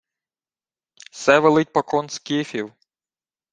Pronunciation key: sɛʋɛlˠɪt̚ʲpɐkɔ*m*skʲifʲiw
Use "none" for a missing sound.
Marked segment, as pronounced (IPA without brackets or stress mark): n